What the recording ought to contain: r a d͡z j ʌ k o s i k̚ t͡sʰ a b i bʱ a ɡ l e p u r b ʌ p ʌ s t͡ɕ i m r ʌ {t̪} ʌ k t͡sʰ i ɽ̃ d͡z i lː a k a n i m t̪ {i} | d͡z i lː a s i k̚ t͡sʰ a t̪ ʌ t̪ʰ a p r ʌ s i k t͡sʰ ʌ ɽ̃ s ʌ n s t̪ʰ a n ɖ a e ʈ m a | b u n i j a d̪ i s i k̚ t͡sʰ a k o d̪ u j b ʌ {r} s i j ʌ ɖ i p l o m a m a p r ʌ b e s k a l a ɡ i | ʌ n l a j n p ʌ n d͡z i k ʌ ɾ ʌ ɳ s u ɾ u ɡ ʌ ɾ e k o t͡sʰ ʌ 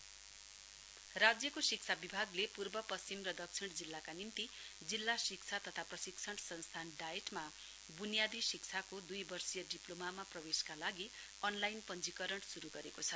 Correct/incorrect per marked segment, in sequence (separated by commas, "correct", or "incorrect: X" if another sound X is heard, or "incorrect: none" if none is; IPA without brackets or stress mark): incorrect: d̪, correct, correct